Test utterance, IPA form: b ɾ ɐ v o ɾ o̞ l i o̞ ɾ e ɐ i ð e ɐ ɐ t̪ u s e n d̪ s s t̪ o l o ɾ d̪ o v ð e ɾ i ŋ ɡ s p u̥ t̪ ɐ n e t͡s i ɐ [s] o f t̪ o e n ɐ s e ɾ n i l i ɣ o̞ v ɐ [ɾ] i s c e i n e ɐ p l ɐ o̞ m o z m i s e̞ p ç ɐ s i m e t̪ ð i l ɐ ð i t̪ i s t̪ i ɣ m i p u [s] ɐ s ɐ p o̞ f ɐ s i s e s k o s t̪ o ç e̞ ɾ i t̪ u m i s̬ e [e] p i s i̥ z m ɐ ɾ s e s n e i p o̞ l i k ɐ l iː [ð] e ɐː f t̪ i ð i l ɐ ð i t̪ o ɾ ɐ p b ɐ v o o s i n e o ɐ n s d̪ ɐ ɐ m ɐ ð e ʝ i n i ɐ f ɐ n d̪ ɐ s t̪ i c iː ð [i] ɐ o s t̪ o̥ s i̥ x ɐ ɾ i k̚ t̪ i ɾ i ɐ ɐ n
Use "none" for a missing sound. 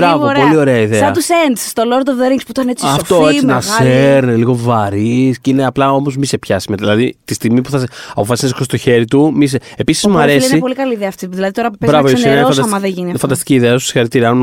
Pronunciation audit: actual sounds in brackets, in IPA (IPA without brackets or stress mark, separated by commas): f, ɾ, θ, e, ð, e